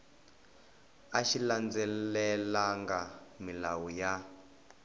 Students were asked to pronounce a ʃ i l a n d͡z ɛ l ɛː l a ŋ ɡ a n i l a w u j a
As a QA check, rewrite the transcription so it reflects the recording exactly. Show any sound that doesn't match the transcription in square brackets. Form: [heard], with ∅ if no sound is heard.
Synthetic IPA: a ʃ i l a n d͡z ɛ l [ɛ] l a ŋ ɡ a [m] i l a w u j a